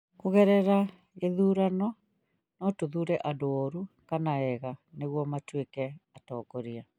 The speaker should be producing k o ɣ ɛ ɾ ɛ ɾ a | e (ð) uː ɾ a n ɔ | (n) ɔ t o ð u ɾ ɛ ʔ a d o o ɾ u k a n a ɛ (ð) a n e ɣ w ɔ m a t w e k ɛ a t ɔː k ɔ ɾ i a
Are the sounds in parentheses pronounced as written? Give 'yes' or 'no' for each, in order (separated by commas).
yes, yes, no